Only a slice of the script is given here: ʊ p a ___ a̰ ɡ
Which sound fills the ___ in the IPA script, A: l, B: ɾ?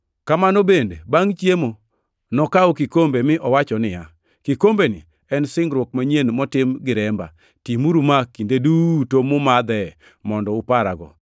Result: B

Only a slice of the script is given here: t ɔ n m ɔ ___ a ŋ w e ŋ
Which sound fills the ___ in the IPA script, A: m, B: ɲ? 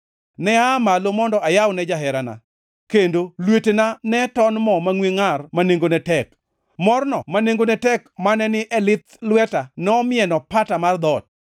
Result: A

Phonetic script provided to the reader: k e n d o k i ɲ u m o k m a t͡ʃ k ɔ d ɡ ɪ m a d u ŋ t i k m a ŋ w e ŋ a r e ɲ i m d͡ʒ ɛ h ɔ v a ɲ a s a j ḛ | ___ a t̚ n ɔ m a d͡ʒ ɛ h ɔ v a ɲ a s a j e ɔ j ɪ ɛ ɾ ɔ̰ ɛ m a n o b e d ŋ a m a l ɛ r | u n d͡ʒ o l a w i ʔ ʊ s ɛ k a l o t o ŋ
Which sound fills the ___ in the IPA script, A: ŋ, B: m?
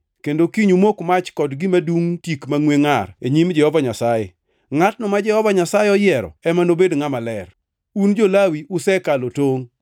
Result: A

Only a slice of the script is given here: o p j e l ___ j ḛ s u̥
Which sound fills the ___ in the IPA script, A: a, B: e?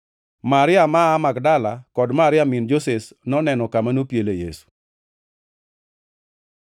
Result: B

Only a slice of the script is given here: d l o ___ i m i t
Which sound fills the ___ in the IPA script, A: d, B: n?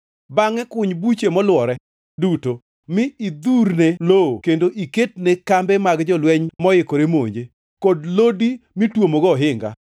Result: A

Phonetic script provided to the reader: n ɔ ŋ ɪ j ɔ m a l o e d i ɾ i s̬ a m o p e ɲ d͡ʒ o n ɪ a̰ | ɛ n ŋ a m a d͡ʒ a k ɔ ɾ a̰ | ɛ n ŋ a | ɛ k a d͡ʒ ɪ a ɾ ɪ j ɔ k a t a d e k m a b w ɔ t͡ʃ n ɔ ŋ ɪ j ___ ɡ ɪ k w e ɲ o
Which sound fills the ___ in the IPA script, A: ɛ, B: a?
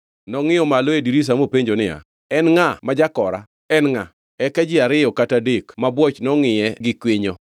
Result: A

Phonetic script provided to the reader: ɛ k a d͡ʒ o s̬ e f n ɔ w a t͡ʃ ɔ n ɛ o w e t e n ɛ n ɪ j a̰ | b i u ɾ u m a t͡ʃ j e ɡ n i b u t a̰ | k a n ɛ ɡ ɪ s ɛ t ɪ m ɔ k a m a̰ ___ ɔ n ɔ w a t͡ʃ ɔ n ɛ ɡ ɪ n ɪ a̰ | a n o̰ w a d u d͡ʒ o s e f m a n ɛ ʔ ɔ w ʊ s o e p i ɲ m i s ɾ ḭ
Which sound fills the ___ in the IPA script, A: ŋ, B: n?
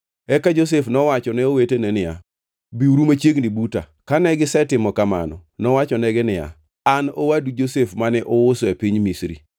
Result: B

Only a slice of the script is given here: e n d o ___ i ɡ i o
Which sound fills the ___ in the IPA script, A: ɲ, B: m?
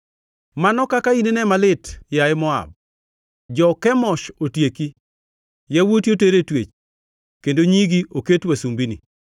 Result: A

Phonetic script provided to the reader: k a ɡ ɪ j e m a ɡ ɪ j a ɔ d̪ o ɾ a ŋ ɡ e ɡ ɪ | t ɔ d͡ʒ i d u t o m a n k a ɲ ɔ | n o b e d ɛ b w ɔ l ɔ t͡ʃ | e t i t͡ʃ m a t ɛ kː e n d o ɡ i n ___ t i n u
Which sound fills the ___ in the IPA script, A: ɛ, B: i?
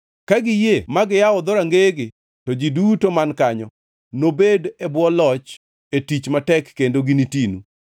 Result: B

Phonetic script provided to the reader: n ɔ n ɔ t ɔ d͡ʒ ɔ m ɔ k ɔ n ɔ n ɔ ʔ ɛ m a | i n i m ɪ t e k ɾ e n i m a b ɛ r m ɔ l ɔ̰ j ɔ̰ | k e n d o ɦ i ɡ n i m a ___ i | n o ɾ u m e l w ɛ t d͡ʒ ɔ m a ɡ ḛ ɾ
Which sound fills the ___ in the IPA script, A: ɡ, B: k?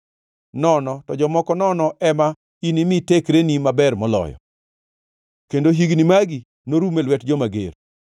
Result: A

